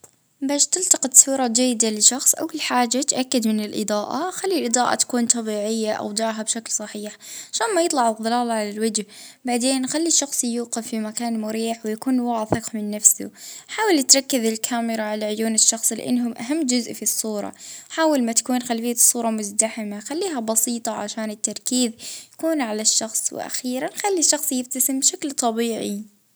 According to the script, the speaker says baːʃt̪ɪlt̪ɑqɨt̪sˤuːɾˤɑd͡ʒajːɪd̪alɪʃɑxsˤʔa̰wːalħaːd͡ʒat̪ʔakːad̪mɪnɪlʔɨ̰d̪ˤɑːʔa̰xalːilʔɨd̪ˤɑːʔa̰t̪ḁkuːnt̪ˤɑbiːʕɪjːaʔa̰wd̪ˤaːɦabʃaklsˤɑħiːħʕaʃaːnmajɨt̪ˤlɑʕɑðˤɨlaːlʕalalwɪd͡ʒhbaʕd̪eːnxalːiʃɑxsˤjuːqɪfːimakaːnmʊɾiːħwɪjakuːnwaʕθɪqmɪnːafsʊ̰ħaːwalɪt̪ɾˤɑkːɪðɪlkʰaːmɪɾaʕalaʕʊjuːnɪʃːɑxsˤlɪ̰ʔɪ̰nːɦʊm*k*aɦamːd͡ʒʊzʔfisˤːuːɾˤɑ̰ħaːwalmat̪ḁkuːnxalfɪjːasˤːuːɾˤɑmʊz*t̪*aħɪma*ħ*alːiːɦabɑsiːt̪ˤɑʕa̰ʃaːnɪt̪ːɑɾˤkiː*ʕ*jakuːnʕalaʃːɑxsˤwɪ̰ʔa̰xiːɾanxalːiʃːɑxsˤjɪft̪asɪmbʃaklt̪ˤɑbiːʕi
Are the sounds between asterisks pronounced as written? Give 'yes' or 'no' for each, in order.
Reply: no, no, no, no

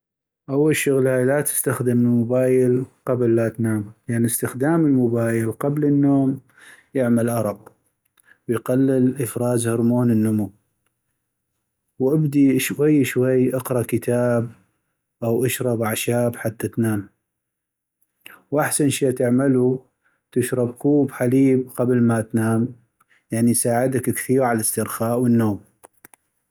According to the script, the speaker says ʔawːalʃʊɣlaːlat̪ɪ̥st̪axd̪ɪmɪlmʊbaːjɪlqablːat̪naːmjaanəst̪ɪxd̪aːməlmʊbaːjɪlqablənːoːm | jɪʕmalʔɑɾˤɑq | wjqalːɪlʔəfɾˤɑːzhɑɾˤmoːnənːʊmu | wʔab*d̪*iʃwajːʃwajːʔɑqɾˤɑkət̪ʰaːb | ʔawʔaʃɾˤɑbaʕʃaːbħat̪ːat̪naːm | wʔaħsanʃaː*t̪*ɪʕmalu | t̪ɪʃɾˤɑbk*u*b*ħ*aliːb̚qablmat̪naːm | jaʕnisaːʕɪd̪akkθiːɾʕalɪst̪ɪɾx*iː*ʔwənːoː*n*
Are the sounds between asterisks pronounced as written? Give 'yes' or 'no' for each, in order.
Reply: yes, yes, no, yes, no, no

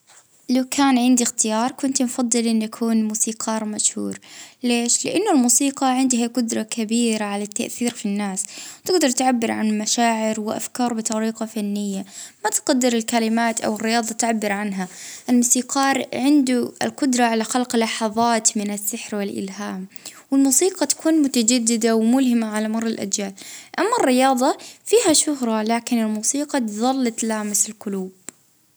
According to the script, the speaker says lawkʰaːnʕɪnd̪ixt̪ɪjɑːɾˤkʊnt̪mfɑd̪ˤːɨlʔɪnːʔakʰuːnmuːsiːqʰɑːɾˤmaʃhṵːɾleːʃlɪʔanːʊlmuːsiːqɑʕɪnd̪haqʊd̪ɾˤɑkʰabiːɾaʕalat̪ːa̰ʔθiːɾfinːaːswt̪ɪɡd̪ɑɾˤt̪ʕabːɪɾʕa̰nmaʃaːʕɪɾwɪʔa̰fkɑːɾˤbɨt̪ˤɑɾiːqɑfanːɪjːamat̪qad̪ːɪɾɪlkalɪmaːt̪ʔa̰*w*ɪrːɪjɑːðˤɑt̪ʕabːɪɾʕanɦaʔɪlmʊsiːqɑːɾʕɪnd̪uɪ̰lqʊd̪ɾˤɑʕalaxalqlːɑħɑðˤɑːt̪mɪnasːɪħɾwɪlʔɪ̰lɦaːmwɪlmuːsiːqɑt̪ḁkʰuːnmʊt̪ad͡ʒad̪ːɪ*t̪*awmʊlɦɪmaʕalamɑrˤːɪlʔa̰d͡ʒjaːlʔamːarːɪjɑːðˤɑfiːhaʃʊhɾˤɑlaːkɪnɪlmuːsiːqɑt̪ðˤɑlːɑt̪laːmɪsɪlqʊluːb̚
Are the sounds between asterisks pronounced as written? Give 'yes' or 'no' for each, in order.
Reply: yes, no

